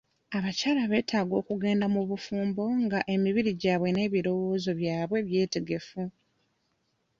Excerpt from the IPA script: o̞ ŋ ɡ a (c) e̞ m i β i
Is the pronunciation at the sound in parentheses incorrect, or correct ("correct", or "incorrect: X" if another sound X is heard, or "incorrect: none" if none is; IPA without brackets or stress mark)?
incorrect: ʔ